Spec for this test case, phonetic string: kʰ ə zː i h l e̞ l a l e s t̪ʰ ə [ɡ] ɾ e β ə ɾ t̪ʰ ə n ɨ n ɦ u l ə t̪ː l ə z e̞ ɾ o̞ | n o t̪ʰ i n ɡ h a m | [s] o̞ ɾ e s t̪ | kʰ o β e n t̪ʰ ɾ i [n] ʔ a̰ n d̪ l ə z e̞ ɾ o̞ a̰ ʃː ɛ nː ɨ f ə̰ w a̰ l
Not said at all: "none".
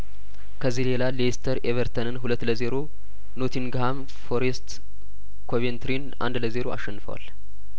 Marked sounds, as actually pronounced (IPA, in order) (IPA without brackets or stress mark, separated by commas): none, f, n